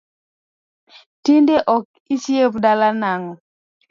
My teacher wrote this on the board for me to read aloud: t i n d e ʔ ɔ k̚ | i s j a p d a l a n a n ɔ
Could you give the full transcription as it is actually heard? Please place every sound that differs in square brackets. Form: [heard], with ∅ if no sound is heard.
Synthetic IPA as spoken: t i n d e ʔ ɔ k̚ | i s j [e] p d a l a n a [ŋ] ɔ